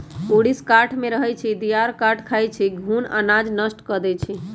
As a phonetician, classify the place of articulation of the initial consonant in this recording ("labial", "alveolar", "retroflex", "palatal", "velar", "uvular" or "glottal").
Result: retroflex